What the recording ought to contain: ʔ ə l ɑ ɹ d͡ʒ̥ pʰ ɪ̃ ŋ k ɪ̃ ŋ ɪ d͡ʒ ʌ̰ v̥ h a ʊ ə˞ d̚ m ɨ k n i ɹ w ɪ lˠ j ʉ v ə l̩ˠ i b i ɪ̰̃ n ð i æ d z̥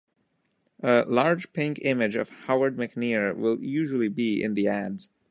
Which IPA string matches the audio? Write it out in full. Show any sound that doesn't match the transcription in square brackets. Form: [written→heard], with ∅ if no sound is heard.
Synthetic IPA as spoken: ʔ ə l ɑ ɹ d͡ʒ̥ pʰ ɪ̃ ŋ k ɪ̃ [ŋ→m] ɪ d͡ʒ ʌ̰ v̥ h a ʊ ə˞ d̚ m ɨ k n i ɹ w ɪ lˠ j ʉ [v→ʒ] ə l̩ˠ i b i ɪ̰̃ n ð i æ d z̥